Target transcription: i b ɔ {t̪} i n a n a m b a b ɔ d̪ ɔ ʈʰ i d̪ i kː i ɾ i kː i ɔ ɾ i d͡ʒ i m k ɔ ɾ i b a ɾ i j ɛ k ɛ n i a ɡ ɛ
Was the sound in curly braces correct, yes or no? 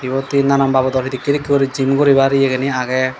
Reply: yes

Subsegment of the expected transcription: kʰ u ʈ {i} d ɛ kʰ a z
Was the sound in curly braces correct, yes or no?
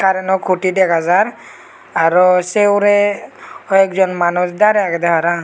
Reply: yes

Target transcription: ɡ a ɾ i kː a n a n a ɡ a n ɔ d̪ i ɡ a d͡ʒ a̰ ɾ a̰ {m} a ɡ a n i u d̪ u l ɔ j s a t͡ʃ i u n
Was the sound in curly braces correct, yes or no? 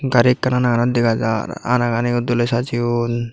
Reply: no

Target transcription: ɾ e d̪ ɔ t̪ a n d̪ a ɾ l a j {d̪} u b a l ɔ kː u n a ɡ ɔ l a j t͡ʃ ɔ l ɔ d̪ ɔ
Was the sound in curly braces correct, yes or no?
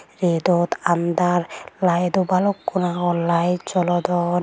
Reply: yes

